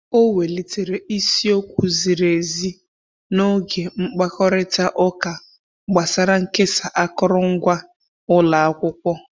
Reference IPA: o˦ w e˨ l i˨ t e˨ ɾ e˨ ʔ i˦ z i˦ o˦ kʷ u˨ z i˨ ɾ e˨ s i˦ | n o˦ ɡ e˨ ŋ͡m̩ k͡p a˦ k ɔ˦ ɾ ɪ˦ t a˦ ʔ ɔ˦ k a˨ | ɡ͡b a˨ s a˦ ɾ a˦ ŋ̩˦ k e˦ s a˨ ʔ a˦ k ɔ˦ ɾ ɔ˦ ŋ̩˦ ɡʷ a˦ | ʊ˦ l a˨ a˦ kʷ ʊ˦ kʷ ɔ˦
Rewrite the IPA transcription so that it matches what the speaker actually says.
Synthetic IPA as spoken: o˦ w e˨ l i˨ t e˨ ɾ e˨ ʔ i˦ s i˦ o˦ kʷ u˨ z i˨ ɾ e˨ z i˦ | n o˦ ɡ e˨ ŋ͡m̩ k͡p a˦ k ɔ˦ ɾ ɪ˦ t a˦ ʔ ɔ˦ k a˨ | ɡ͡b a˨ s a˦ ɾ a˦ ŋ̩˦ k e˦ s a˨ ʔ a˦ k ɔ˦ ɾ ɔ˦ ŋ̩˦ ɡʷ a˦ | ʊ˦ l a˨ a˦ kʷ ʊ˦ kʷ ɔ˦